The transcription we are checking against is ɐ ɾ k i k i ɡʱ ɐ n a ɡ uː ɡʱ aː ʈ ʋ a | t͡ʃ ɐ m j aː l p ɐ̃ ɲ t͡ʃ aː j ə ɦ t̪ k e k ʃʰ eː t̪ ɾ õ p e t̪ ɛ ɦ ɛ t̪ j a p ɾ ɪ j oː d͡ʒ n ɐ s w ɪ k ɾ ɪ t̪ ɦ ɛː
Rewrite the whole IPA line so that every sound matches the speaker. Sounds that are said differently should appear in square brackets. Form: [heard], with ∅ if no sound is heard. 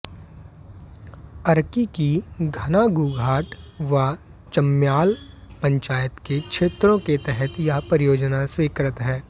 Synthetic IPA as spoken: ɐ ɾ k i k i ɡʱ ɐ n a ɡ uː ɡʱ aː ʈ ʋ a | t͡ʃ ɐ m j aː l p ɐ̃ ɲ t͡ʃ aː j ə [∅] t̪ k e k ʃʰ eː t̪ ɾ õ [k] e t̪ ɛ ɦ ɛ t̪ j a p ɾ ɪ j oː d͡ʒ n [a] s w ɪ k ɾ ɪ t̪ ɦ ɛː